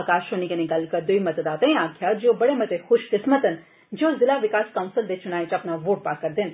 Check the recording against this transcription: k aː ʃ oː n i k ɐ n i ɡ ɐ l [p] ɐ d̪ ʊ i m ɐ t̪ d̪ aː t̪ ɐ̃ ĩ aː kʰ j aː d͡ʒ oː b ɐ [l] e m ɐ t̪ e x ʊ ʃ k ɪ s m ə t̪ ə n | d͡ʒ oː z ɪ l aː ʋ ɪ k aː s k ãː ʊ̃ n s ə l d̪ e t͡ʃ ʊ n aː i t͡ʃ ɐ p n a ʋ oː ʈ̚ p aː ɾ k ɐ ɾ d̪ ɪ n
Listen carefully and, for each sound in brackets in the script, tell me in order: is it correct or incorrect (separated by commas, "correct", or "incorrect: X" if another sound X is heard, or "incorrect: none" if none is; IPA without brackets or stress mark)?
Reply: incorrect: k, incorrect: ɽ